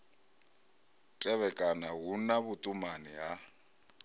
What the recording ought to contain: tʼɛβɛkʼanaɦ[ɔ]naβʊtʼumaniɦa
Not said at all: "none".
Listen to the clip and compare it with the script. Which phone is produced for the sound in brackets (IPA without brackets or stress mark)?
u